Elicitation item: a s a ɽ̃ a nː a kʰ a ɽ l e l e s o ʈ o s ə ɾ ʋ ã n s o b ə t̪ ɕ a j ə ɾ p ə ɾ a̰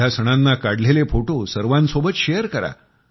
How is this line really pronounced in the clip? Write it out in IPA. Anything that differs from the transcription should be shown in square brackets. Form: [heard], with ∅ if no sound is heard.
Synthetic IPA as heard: a s [ə] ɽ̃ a nː a [k] a ɽ l e l e [f] o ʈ o s ə ɾ ʋ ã n s o b ə t̪ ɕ [e] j ə ɾ [k] ə ɾ a̰